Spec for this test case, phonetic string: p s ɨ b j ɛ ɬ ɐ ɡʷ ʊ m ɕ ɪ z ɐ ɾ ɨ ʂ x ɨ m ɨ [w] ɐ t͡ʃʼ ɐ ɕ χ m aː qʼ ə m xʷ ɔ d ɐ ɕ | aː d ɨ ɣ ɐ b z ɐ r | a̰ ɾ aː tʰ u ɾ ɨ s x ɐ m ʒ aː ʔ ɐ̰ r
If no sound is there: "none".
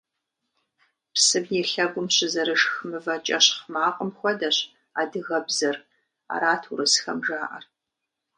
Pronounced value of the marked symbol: v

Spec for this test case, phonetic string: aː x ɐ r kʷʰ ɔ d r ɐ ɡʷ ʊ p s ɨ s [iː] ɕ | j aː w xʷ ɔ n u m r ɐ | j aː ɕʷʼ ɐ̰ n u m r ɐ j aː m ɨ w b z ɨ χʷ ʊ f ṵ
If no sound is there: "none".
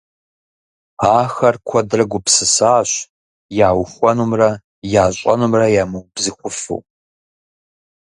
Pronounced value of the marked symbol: aː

